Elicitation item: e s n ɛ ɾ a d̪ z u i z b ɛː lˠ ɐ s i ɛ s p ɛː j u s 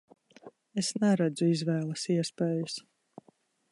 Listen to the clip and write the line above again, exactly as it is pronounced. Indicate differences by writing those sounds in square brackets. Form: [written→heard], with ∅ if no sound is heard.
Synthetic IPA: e s n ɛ ɾ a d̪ z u i z [b→v] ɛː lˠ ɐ s i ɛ s p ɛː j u s